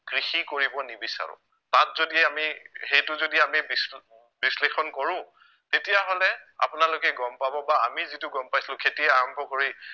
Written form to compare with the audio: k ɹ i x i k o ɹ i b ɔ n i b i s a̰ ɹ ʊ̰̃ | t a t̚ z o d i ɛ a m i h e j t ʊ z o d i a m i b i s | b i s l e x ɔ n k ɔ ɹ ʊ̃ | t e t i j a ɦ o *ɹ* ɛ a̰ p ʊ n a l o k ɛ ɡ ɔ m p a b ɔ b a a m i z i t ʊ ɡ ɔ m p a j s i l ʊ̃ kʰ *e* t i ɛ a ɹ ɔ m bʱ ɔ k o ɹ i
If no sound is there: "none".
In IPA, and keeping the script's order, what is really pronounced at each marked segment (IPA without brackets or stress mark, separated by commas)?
l, e